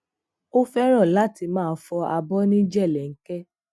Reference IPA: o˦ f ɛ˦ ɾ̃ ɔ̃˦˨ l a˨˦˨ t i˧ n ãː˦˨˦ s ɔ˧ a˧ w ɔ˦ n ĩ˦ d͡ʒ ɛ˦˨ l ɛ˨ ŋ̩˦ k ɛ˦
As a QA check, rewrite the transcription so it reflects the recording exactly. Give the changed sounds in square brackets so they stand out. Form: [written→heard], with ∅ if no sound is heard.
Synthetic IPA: o˦ f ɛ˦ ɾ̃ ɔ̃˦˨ l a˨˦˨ t i˧ [n→m] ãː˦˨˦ [s→f] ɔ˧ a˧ [w→b] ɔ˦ n ĩ˦ d͡ʒ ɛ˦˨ l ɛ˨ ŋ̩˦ k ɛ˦